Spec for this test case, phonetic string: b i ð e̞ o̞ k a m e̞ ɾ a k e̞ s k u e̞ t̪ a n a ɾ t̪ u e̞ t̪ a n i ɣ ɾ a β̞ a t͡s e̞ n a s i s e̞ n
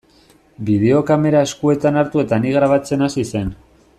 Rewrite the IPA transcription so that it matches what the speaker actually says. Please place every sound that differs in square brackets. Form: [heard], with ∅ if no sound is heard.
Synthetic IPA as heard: b i ð e̞ o̞ k a m e̞ ɾ a [∅] e̞ s k u e̞ t̪ a n a ɾ t̪ u e̞ t̪ a n i ɣ ɾ a β̞ a t͡s e̞ n a s i s e̞ n